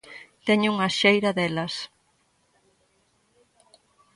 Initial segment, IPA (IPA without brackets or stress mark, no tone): t̪